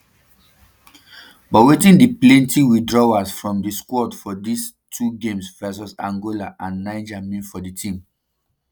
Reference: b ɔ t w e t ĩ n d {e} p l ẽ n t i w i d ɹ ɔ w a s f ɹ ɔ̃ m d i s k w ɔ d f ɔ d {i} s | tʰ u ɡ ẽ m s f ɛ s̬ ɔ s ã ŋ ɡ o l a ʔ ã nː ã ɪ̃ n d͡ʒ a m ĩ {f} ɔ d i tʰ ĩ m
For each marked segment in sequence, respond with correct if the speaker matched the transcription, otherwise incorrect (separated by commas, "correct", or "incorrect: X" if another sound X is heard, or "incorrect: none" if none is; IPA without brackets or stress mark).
incorrect: i, correct, correct